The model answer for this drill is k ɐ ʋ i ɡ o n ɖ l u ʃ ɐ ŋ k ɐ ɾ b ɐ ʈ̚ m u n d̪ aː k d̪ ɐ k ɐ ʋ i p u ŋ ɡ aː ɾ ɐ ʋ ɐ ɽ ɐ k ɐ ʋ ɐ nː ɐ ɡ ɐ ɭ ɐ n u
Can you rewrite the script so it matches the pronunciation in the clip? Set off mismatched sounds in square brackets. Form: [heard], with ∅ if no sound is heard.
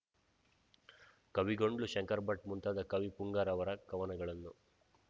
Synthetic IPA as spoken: k ɐ ʋ i ɡ o [ɳ] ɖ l u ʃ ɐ ŋ k ɐ ɾ b ɐ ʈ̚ m u n [t̪] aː [∅] d̪ ɐ k ɐ ʋ i p u ŋ ɡ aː ɾ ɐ ʋ ɐ [ɾ] ɐ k ɐ ʋ ɐ [n] ɐ ɡ ɐ ɭ ɐ [nː] u